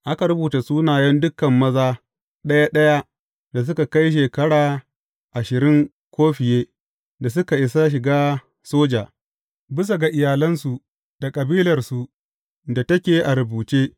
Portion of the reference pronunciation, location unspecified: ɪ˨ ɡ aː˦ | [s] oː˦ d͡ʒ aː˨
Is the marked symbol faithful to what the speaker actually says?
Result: yes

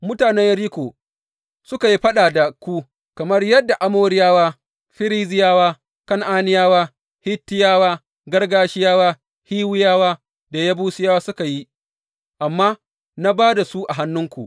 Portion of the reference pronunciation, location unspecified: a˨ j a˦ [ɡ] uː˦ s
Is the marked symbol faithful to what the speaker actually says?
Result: no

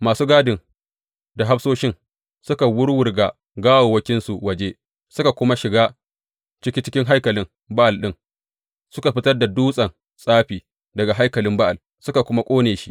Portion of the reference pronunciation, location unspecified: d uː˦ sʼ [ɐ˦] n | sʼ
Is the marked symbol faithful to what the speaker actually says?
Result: no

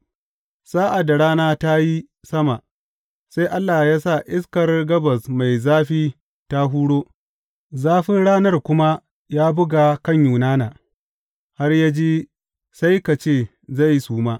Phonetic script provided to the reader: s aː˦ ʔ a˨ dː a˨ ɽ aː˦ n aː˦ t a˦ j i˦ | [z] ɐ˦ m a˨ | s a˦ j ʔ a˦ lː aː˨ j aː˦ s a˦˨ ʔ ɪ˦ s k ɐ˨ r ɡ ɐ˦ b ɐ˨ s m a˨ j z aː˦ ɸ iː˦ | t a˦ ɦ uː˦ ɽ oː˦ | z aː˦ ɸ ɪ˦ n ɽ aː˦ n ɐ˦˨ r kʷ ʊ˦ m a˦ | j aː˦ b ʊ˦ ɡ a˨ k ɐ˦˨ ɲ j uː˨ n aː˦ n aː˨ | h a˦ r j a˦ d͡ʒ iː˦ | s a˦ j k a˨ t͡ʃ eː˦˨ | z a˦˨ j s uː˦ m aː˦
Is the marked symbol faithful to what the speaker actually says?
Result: no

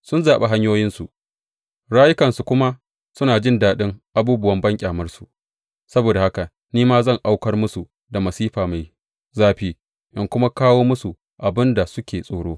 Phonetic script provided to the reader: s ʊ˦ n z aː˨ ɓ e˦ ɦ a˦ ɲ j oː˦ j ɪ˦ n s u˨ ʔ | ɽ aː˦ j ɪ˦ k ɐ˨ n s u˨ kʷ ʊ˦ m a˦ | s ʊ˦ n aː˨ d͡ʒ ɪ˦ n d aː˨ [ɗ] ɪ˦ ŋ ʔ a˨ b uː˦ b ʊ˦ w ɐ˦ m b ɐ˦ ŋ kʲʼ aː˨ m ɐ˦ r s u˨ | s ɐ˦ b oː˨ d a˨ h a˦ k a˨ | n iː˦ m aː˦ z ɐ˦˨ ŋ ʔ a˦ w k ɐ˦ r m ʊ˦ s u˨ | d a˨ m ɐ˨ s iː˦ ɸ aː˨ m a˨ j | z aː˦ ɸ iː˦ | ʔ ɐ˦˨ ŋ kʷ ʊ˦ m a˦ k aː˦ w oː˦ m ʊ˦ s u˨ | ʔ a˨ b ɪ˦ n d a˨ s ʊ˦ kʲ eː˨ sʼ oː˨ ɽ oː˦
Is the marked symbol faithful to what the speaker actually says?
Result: yes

